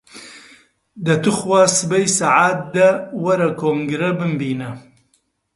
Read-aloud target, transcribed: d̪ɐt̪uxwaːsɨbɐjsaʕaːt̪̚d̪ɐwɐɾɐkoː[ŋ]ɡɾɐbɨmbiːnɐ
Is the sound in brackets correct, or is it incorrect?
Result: correct